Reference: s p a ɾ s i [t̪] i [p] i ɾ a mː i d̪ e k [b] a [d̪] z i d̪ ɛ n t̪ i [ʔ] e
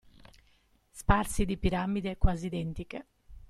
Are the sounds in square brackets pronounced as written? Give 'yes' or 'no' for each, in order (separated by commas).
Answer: no, yes, no, no, no